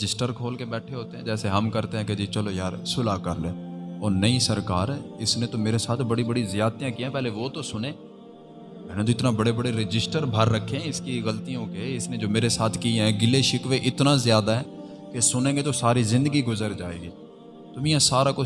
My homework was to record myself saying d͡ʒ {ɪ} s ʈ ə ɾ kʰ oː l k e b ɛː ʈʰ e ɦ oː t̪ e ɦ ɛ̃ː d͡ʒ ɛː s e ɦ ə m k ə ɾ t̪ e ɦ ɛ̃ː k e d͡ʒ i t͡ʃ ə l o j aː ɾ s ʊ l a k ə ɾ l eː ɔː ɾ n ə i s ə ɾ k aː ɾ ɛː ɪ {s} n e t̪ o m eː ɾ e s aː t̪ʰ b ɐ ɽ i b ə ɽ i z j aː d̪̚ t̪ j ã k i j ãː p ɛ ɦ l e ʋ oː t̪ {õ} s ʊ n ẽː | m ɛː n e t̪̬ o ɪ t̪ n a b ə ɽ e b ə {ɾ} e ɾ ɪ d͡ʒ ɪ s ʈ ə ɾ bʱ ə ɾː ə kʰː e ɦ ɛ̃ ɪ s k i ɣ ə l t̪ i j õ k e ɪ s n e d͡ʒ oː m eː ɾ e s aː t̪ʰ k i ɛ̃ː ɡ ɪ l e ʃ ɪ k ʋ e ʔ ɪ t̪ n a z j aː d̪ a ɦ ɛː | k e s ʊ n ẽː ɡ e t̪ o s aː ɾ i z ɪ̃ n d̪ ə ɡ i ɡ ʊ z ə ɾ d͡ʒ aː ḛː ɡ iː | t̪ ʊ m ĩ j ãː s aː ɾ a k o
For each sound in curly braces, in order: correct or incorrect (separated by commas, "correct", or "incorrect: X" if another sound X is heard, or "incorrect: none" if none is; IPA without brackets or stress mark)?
correct, correct, incorrect: o, incorrect: ɽ